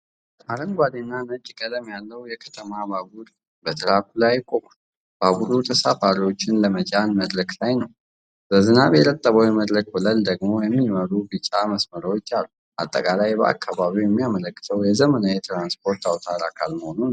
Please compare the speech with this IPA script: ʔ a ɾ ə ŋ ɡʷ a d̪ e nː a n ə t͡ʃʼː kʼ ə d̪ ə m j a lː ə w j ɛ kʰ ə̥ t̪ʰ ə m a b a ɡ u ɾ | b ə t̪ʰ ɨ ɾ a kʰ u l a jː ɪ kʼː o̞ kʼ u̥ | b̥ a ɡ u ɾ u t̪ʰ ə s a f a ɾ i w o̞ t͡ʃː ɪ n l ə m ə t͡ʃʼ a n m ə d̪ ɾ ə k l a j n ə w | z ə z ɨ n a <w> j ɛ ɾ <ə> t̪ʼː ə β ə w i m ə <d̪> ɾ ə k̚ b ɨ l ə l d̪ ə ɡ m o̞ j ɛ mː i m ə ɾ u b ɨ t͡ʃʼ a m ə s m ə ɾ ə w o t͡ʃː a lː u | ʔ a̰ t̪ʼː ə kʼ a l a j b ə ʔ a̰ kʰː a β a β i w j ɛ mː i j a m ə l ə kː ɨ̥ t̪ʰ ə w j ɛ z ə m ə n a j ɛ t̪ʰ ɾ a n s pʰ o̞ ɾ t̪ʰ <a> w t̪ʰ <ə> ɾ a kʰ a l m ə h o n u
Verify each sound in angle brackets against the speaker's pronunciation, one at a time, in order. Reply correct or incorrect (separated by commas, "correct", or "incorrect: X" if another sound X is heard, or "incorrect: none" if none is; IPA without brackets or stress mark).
incorrect: β, correct, correct, correct, incorrect: a